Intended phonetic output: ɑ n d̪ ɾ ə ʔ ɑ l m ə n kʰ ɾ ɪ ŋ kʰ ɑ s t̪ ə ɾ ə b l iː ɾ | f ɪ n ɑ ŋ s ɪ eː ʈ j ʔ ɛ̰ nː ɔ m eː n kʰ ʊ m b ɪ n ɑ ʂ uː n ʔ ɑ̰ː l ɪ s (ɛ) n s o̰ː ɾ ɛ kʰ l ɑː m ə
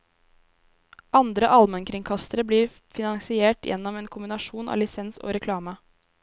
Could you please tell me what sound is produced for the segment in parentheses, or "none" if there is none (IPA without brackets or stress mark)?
ɛ